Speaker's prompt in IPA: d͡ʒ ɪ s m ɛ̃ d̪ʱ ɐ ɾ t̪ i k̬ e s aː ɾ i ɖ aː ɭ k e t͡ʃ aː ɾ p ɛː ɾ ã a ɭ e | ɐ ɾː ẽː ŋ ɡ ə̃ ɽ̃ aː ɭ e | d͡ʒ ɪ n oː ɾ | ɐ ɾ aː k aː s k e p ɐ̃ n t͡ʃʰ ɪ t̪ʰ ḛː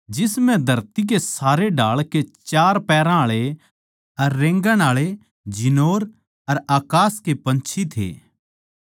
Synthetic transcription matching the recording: d͡ʒ ɪ s m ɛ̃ d̪ʱ ɐ ɾ t̪ i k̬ e s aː ɾ e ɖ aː ɭ k e t͡ʃ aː ɾ p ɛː ɾ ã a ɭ e | ɐ ɾː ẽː ŋ ɡ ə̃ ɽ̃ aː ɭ e | d͡ʒ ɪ n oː ɾ | ɐ ɾ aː k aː s k e p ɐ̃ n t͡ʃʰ i t̪ʰ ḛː

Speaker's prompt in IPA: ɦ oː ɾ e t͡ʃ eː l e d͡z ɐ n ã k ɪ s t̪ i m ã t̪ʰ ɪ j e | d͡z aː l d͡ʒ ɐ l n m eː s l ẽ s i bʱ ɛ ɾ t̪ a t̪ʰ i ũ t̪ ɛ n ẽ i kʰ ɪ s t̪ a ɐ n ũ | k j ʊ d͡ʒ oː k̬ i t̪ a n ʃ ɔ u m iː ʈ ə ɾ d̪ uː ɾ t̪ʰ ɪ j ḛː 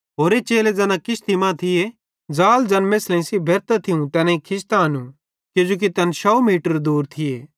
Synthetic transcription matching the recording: ɦ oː ɾ e t͡ʃ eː l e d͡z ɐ n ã k ɪ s t̪ i m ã t̪ʰ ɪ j e | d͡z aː l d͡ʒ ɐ n m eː s l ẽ s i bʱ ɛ ɾ t̪ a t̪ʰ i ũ t̪ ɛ n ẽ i kʰ ɪ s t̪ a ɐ n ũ | k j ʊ d͡ʒ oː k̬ i t̪ ɐ n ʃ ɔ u m iː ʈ ə ɾ d̪ uː ɾ t̪ʰ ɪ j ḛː

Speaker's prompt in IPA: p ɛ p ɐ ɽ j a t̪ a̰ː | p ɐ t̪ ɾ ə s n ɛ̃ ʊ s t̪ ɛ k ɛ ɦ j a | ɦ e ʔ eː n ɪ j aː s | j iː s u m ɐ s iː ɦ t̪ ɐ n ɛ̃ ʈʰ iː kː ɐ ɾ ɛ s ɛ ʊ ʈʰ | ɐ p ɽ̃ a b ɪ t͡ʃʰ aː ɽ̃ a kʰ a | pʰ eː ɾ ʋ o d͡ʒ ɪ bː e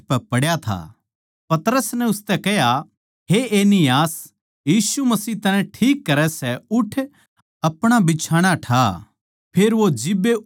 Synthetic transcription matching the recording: p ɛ p ɐ ɽ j a t̪ʰ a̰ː | p ɐ t̪ ɾ ə s n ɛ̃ ʊ s t̪ ɛ k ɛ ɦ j a | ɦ e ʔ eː n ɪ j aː s | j iː s u m ɐ s iː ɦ t̪ ɐ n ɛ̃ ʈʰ iː kː ɐ ɾ ɛ s ɛ ʊ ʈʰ | ɐ p ɽ̃ a b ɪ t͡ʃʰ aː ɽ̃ a ʈʰ a | pʰ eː ɾ ʋ o d͡ʒ ɪ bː e

